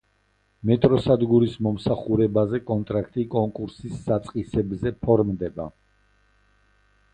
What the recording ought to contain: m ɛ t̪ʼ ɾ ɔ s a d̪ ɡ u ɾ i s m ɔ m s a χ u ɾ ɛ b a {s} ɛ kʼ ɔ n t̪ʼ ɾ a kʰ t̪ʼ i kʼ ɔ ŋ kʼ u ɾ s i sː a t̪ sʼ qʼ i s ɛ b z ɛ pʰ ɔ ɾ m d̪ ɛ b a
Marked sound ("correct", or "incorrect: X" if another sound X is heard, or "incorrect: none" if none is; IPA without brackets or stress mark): incorrect: z